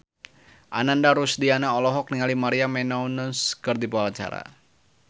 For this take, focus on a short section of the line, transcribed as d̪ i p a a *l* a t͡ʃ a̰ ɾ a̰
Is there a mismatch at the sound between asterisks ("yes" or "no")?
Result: no